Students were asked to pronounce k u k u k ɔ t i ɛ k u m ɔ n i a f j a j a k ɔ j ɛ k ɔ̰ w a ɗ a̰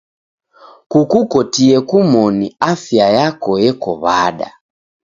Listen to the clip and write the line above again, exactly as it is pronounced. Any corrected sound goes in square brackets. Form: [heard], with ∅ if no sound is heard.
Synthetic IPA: k u k u k ɔ t i ɛ k u m ɔ n i a f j a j a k ɔ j ɛ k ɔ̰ [β] a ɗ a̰

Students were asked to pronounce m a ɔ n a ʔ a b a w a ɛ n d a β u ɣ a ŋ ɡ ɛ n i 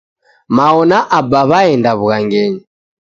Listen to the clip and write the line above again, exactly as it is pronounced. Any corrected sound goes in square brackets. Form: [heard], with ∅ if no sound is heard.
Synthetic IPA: m a ɔ n a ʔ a b a [β] a ɛ n d a β u ɣ a ŋ ɡ ɛ [ɲ] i

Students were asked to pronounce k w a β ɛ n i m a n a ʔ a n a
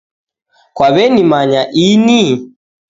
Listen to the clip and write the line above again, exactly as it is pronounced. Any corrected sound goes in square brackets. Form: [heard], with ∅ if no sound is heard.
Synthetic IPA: k w a β ɛ n i m a [ɲ] a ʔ [i] n [i]

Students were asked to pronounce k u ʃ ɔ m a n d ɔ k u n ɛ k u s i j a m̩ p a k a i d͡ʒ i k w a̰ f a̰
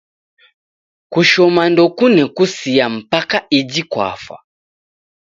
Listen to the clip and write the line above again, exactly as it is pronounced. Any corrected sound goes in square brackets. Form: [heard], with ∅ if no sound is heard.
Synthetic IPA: k u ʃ ɔ m a n d ɔ k u n ɛ k u s i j a m̩ p a k a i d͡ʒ i k w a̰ f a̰

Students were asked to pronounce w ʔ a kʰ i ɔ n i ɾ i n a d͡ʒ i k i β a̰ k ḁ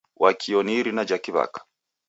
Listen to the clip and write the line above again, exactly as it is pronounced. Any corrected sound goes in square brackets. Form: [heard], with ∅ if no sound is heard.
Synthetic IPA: w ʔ a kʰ i ɔ n i ɾ i n a d͡ʒ [a] k i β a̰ k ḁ

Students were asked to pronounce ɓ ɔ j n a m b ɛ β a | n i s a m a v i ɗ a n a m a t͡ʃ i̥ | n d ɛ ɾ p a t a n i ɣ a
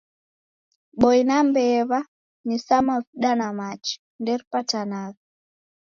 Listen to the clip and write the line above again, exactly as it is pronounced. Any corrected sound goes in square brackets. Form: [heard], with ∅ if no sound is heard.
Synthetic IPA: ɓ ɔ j n a m b ɛ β a | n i s a m a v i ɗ a n a m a t͡ʃ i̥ | n d ɛ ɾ p a t a n [a] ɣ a

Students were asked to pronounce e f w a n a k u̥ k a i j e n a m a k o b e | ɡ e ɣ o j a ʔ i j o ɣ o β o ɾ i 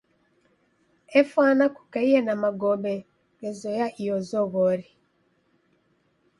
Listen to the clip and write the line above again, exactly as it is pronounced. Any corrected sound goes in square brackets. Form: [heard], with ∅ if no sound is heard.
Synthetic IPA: e f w a n a k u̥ k a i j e n a m a [ɡ] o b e | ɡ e [z] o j a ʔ i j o [z] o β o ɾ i

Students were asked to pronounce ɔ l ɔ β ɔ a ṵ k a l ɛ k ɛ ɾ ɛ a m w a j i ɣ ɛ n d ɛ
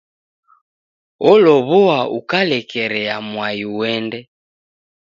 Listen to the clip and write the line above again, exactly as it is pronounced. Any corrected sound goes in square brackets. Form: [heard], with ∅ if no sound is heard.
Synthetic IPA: ɔ l ɔ β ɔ a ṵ k a l ɛ k ɛ ɾ ɛ a m w a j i [w] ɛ n d ɛ

